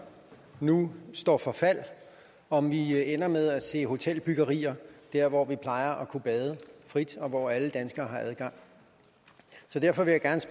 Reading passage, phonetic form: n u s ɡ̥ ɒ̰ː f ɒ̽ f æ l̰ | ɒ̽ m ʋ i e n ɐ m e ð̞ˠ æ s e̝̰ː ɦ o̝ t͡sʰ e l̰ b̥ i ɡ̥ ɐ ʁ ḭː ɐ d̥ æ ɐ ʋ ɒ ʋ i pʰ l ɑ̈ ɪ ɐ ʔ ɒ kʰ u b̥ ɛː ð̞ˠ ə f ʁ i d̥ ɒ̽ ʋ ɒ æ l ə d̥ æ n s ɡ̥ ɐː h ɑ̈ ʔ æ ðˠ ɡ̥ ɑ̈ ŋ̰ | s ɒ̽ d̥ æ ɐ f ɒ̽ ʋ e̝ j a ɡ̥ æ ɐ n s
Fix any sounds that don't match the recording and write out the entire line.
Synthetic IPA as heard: n u s d̥ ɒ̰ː f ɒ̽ f æ l̰ | ɒ̽ m ʋ i e n ɐ m e ð̞ˠ æ s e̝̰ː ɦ o̝ t͡sʰ e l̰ b̥ y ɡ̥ ɐ ʁ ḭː ɐ d̥ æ ɐ ʋ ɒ ʋ i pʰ l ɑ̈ ɪ ɐ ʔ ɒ kʰ u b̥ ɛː ð̞ˠ ə f ʁ i d̥ ɒ̽ ʋ ɒ æ l ə d̥ æ n s ɡ̥ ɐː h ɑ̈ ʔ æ ðˠ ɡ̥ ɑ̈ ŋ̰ | s ɒ̽ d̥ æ ɐ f ɒ̽ ʋ e̝ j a ɡ̥ æ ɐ n s